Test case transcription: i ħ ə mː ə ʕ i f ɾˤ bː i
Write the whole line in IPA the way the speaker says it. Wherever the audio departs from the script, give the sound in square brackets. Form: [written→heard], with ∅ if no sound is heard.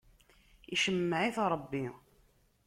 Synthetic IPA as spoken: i [ħ→ʃ] ə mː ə ʕ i [f→θ] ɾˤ bː i